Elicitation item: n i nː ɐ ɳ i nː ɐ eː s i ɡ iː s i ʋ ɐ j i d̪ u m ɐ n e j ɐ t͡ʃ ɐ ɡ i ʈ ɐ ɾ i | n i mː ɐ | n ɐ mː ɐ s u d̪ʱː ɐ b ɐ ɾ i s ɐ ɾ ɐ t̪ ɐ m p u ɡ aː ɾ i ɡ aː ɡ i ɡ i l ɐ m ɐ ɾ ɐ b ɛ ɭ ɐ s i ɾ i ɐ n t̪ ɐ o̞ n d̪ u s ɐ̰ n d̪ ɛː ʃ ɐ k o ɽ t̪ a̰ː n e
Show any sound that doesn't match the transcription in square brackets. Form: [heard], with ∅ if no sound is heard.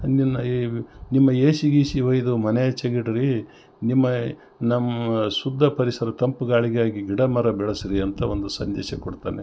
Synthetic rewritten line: n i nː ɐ [n] i [mː] ɐ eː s i ɡ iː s i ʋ ɐ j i d̪ u m ɐ n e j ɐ t͡ʃ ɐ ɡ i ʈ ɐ ɾ i | n i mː ɐ | n ɐ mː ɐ s u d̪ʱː ɐ [p] ɐ ɾ i s ɐ ɾ ɐ t̪ ɐ m p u ɡ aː [ɭ] i ɡ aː ɡ i ɡ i [ɽ] ɐ m ɐ ɾ ɐ b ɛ ɭ ɐ s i ɾ i ɐ n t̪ ɐ o̞ n d̪ u s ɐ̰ n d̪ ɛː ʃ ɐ k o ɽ t̪ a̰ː n e